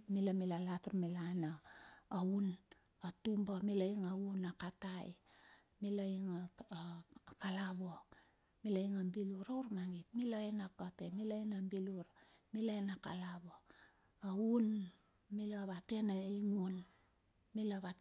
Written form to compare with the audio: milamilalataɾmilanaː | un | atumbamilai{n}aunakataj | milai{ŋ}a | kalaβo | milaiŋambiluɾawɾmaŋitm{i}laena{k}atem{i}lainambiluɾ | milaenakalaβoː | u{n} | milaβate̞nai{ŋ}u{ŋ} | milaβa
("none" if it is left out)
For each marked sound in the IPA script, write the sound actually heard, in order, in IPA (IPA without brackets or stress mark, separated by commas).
ŋ, ŋ, i, k, i, n, ŋ, n